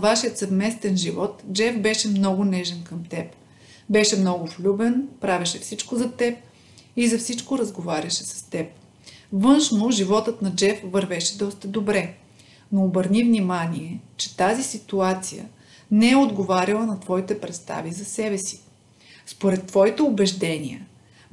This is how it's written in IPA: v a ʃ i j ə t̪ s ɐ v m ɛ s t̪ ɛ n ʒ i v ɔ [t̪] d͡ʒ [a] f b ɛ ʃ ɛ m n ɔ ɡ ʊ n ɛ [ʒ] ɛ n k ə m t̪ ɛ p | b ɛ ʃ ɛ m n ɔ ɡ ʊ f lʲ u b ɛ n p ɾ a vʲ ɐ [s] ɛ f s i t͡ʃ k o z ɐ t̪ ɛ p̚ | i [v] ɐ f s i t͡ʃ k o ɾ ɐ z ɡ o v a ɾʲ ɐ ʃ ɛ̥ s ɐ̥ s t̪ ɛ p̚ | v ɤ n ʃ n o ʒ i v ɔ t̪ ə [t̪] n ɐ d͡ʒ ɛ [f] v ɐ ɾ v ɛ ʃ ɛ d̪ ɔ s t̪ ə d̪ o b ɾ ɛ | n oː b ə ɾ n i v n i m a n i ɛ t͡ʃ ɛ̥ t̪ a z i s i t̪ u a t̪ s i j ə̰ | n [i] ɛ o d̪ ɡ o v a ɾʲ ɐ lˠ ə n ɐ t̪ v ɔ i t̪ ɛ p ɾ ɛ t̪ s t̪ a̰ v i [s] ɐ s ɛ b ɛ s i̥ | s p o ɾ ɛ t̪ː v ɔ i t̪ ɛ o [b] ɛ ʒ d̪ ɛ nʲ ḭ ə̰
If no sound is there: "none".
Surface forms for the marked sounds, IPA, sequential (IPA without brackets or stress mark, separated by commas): t̪, ɛ, ʒ, ʃ, z, t̪, f, ɛ, z, b